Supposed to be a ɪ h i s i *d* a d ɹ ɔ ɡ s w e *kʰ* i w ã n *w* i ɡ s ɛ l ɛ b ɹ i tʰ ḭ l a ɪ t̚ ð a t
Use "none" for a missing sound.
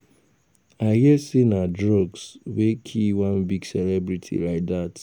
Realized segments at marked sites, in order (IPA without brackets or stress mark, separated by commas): n, kʰ, b